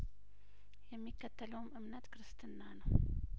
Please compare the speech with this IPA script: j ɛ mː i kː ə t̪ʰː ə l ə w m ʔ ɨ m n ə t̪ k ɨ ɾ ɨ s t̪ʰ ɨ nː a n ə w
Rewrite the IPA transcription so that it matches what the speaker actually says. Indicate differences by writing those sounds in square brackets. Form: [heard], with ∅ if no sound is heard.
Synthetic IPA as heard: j ɛ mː i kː ə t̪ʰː ə l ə w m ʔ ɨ m n ə t̪ k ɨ ɾ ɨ s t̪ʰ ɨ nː a n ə w